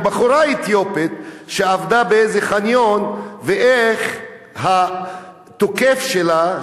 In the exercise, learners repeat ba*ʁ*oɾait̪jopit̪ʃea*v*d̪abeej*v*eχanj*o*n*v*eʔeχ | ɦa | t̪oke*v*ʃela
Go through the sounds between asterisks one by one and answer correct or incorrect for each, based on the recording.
incorrect, correct, incorrect, correct, correct, incorrect

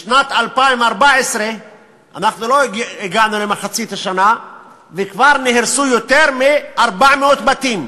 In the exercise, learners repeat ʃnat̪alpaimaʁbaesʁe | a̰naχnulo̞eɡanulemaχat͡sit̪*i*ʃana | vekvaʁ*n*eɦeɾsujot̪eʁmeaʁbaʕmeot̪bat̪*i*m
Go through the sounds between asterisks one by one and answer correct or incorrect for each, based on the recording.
incorrect, correct, correct

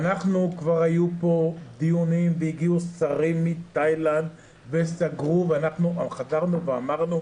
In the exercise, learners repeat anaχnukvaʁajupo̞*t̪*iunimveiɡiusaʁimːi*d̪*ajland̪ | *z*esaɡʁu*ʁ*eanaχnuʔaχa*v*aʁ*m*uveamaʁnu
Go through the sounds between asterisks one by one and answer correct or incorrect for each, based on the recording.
incorrect, incorrect, incorrect, incorrect, incorrect, incorrect

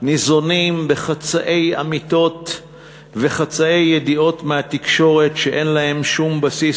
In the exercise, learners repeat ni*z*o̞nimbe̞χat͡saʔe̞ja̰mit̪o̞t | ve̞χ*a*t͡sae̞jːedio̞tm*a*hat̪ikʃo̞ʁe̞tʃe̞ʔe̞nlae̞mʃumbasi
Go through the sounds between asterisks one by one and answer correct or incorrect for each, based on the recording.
correct, correct, incorrect

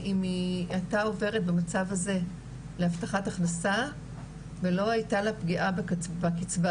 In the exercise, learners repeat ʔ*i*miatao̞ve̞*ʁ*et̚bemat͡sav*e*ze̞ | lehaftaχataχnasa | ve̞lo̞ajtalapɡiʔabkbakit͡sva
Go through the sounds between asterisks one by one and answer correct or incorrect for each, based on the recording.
correct, correct, incorrect

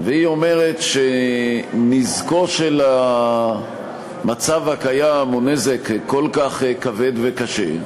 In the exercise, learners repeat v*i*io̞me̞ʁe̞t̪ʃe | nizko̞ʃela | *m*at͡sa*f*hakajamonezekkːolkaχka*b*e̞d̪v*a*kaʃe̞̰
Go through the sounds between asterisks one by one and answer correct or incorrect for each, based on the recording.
incorrect, correct, incorrect, incorrect, incorrect

